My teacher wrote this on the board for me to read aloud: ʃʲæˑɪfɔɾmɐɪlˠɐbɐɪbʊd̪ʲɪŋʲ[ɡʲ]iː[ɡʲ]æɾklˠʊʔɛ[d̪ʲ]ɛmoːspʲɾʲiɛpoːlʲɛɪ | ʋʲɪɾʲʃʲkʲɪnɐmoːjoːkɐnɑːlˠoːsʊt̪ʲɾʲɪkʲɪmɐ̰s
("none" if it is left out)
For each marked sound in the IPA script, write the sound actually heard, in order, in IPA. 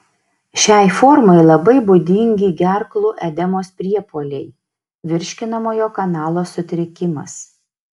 ɡʲ, ɡʲ, d̪ʲ

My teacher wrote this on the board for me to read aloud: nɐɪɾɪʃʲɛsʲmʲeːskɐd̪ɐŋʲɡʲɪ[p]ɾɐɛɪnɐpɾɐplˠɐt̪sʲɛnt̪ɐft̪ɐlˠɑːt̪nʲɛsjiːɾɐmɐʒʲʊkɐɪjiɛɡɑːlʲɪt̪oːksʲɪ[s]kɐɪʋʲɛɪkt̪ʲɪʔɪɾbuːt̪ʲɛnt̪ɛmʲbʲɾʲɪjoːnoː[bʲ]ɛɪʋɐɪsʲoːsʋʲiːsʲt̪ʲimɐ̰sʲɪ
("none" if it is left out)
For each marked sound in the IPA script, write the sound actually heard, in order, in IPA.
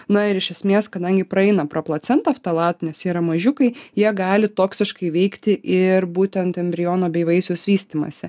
p, ʃ, bʲ

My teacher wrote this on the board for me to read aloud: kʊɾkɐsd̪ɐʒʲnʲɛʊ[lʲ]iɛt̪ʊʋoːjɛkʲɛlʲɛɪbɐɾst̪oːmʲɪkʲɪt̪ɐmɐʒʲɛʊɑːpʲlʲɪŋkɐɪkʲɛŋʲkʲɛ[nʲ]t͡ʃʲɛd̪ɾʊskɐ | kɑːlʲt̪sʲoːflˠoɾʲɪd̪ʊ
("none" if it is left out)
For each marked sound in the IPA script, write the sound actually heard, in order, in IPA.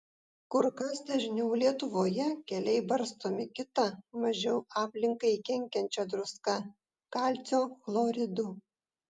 lʲ, nʲ

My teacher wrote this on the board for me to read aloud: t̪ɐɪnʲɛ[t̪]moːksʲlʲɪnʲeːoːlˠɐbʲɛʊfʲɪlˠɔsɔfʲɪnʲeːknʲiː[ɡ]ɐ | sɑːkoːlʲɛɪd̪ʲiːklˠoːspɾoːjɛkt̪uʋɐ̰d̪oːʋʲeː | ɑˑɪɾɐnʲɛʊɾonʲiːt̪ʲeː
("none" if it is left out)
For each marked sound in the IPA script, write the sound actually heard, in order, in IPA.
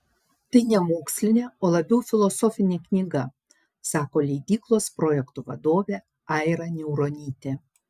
none, ɡ

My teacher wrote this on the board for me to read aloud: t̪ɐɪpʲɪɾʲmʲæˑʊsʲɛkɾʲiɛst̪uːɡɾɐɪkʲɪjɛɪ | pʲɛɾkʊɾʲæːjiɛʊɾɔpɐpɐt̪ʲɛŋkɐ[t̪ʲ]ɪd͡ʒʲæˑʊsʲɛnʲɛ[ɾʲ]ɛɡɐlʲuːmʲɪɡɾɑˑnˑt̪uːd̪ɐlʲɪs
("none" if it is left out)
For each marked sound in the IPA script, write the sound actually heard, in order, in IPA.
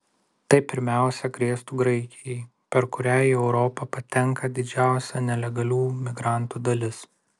d̪ʲ, lʲ

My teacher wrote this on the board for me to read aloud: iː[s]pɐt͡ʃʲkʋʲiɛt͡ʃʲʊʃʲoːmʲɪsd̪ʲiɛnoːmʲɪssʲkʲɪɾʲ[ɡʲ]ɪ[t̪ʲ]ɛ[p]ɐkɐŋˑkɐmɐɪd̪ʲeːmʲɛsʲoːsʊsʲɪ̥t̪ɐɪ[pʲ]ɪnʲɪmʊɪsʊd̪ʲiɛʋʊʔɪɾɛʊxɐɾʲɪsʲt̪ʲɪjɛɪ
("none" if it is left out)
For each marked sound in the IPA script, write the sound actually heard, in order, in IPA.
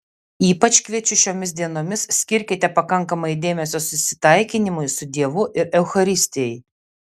none, kʲ, t̪ʲ, p, kʲ

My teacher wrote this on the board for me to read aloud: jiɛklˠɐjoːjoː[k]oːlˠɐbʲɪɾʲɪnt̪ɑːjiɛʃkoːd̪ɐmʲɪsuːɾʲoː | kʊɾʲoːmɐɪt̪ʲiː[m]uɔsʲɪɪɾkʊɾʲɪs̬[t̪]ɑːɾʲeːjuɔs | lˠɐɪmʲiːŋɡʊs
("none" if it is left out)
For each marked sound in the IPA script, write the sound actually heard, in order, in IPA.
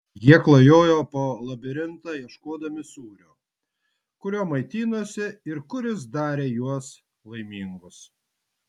p, n, d̪

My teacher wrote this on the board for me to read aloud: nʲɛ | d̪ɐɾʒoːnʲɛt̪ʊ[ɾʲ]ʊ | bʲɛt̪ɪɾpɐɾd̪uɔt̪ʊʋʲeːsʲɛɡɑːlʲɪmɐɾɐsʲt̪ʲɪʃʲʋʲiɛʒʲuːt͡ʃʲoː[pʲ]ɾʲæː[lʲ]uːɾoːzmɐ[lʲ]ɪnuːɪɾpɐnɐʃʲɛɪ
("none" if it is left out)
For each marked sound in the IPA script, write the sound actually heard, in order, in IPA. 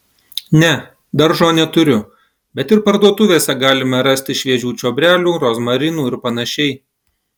ɾʲ, bʲ, lʲ, ɾʲ

